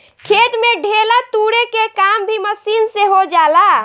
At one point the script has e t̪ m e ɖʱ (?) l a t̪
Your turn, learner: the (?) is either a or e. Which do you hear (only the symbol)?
e